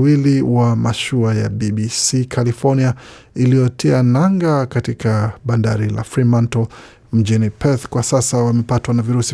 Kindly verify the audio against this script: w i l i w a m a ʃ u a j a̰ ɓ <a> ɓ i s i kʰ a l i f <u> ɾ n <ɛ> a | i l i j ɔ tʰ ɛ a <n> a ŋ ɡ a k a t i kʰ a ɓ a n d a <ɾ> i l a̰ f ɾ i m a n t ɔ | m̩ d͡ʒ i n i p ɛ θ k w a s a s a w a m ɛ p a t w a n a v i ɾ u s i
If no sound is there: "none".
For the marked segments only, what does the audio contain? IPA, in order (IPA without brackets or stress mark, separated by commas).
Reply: i, ɔ, i, n, ɾ